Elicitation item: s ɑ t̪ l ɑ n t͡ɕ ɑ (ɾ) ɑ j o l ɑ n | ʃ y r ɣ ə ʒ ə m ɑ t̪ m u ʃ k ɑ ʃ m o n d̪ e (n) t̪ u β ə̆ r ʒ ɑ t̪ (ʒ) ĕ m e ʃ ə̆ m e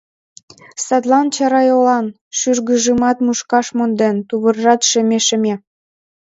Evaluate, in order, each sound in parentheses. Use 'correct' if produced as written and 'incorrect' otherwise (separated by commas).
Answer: correct, correct, incorrect